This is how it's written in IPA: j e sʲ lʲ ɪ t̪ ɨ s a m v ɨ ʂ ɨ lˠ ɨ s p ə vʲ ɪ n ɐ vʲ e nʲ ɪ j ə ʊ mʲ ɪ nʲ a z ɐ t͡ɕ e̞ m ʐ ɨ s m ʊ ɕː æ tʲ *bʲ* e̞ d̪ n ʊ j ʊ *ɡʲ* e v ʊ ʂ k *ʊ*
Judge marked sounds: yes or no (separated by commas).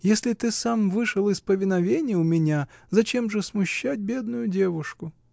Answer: yes, no, yes